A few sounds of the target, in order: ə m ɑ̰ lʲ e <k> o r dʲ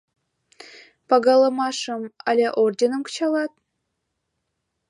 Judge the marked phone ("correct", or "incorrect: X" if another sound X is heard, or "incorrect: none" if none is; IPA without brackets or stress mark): incorrect: ʔ